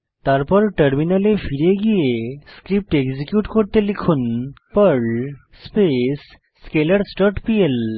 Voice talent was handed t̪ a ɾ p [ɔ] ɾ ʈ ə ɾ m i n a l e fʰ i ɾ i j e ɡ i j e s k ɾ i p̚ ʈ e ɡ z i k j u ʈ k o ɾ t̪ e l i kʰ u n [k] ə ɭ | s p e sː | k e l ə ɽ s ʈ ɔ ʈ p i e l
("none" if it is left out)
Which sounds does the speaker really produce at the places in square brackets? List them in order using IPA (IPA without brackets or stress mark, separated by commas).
ɔ, p